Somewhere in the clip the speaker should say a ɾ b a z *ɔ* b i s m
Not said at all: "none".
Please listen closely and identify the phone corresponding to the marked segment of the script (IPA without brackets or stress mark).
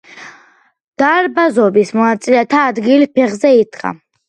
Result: ɔ